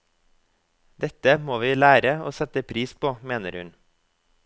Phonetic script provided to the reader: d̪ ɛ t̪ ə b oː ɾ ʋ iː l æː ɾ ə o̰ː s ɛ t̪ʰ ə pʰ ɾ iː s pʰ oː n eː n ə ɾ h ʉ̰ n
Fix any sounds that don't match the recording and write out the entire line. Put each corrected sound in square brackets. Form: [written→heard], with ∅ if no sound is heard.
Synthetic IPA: d̪ ɛ t̪ ə [b→m] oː [ɾ→∅] ʋ iː l æː ɾ ə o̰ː s ɛ [t̪ʰ→t̪] ə pʰ ɾ iː s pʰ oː [n→m] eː n ə ɾ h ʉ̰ n